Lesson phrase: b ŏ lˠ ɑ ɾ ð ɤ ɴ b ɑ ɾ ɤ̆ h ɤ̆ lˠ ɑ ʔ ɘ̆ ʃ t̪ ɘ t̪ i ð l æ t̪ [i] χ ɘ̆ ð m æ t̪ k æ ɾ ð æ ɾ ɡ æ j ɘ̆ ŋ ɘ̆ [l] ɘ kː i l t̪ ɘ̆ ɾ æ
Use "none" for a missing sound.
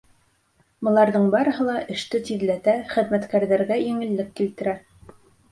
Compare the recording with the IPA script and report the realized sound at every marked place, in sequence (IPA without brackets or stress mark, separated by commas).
æ, lː